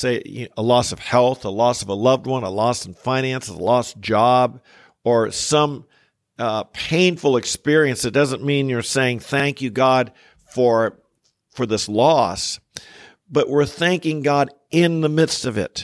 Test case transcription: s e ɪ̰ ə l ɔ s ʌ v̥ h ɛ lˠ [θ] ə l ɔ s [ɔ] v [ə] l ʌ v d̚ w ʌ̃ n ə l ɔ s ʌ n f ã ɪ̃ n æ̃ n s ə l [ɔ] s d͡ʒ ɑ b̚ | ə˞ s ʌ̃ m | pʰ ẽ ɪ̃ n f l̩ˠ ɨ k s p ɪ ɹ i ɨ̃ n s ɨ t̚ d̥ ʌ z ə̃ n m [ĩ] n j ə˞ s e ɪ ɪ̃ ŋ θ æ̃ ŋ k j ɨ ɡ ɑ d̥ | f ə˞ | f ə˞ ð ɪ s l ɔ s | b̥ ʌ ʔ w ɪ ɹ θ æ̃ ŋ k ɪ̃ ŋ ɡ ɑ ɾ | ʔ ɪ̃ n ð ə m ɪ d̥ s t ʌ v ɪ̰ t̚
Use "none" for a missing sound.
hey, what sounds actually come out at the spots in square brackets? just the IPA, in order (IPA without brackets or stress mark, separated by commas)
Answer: θ, ʌ, ə, ɔ, ĩ